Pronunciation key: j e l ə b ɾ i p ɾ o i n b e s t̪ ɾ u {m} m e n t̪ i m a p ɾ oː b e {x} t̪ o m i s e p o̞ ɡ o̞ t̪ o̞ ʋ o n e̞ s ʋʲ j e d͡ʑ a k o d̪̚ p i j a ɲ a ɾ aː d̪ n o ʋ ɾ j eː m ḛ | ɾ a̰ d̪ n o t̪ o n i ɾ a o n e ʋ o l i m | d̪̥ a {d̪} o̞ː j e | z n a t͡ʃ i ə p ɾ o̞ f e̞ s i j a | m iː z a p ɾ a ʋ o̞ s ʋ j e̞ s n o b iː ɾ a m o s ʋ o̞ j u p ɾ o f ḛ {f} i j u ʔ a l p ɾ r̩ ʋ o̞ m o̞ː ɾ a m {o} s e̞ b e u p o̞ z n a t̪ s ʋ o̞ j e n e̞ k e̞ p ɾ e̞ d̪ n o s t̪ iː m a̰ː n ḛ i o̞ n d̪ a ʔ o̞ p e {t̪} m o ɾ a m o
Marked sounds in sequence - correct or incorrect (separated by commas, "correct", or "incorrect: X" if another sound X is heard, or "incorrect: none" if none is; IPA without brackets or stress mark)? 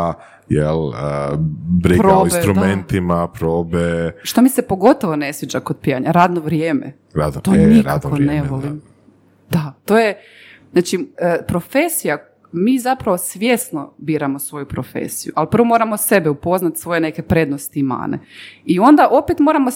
correct, incorrect: ʃ, incorrect: t̪, incorrect: s, correct, correct